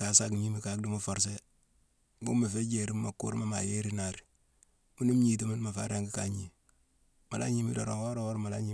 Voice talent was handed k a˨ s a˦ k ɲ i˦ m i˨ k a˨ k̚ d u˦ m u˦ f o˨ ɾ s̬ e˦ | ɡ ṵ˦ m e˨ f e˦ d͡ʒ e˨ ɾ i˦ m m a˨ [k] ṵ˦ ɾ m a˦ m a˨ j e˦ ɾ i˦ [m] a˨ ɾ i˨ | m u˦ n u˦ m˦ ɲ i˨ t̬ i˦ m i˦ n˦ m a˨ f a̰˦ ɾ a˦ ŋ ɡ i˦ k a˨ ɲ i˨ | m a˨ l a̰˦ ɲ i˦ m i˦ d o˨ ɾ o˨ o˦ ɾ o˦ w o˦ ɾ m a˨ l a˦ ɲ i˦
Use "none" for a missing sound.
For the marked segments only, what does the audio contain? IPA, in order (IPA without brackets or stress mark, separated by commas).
k, n